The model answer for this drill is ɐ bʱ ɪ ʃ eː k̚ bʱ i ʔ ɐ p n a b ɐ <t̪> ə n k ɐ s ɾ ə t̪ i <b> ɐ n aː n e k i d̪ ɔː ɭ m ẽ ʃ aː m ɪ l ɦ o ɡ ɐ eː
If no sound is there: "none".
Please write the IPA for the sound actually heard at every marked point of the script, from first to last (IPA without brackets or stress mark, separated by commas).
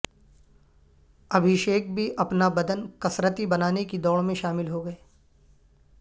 d̪, b